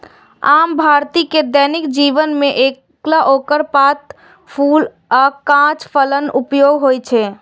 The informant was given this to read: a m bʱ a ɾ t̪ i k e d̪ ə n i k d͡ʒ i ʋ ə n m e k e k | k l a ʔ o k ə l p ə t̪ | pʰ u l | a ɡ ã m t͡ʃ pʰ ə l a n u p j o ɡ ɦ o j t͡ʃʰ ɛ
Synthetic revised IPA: a m bʱ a ɾ t̪ i k e d̪ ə n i k d͡ʒ i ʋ ə n m e ʔ e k | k l a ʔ o k ə ɾ p a t̪ | pʰ u l | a k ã t͡ʃ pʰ ə l ə n u p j o ɡ ɦ o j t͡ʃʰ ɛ